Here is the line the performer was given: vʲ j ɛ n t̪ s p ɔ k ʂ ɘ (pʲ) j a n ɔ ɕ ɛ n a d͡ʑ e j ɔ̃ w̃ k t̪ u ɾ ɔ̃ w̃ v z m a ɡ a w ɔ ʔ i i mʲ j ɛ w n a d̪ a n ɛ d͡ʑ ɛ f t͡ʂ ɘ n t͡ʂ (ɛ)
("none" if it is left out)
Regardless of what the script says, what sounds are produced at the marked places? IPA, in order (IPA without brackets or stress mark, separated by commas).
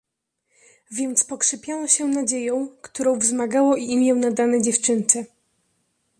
pʲ, ɛ